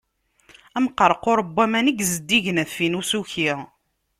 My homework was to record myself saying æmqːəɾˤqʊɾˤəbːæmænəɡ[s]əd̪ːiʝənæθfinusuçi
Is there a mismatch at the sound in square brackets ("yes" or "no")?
yes